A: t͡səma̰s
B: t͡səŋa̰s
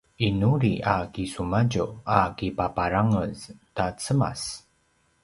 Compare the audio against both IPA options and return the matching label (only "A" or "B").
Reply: A